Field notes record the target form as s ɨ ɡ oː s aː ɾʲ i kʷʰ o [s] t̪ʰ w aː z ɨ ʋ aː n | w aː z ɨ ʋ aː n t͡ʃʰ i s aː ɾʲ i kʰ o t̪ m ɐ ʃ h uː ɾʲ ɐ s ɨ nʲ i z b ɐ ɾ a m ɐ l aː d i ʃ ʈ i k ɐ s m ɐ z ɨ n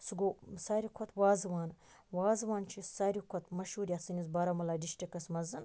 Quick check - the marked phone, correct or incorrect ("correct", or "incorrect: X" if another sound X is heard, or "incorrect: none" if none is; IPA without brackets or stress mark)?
incorrect: none